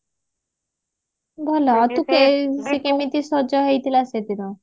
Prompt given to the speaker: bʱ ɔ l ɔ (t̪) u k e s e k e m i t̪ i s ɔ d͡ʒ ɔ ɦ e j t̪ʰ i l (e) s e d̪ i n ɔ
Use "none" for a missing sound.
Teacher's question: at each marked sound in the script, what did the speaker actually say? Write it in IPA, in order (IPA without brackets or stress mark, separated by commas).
t̪, a